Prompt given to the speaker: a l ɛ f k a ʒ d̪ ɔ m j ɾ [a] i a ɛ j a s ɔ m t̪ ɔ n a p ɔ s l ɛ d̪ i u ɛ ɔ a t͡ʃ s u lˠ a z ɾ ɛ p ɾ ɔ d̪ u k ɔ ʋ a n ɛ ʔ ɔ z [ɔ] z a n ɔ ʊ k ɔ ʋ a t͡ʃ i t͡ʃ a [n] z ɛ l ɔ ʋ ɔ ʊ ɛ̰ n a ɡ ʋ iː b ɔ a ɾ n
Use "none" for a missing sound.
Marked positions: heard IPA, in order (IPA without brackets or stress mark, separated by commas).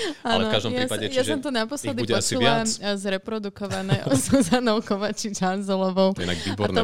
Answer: a, u, n